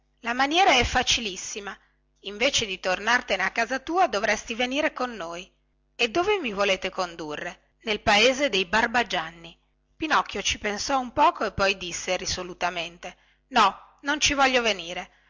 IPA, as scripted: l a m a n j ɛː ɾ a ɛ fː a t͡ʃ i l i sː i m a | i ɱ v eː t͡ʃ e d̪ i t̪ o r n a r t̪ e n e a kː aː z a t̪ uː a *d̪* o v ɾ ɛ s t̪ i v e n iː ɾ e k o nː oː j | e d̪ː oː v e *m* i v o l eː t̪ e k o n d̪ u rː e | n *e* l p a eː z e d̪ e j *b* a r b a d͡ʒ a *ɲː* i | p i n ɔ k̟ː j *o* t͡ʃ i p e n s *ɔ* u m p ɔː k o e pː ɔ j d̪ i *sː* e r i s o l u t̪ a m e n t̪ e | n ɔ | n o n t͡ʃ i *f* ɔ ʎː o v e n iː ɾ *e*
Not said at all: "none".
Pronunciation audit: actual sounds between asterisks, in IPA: d̪, m, e, b, nː, o, ɔ, sː, v, e

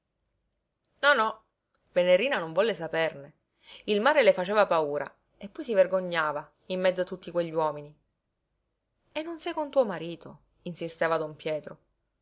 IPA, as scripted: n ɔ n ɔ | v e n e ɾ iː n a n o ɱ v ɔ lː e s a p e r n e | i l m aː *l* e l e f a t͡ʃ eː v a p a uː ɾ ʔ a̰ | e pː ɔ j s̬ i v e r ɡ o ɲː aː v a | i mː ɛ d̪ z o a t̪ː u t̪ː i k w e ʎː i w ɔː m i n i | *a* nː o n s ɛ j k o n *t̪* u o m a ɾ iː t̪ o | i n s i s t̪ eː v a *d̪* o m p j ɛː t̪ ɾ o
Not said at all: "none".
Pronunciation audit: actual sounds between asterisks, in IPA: ɾ, e, t̪, d̪

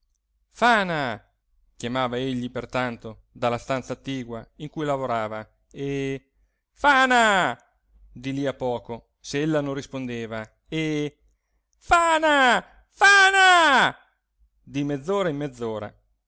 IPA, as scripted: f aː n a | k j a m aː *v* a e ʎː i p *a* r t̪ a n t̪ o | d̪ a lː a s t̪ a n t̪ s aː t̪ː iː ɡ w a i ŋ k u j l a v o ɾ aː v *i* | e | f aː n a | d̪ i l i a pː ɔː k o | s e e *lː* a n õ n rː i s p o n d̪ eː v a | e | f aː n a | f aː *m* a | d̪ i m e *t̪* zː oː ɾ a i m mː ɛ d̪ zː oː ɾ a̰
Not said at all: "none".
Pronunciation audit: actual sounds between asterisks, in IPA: v, e, a, lː, n, d̪

